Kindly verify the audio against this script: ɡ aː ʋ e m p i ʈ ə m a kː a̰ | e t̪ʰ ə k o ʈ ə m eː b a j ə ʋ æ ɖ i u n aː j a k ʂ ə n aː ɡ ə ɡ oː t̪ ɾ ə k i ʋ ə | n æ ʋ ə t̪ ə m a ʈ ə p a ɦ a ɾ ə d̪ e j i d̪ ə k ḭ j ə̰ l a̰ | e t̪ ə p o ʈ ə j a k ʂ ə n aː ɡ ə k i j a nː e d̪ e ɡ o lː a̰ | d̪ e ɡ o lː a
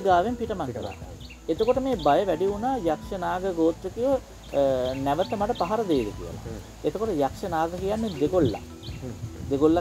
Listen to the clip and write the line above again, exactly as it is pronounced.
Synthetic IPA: ɡ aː ʋ e m p i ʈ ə m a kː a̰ | e t̪ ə k o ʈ ə m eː b a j ə ʋ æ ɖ i u n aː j a k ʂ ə n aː ɡ ə ɡ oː t̪ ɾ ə k i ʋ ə | n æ ʋ ə t̪ ə m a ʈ ə p a ɦ a ɾ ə d̪ e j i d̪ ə k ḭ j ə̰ l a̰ | e t̪ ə k o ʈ ə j a k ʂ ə n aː ɡ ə k i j a nː e d̪ e ɡ o lː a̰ | d̪ e ɡ o lː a